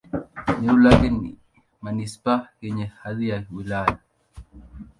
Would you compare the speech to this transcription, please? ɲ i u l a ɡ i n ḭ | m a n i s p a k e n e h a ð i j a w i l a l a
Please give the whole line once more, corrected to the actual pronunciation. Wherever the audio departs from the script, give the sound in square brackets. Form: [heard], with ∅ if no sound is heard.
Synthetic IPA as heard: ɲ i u l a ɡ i n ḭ | m a n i s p a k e [ɲ] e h a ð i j a w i l a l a